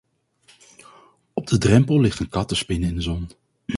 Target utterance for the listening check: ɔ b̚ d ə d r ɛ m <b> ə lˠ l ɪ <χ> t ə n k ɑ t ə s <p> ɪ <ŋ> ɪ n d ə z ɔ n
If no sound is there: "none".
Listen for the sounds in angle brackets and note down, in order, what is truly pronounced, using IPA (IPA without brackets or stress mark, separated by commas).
p, χ, p, n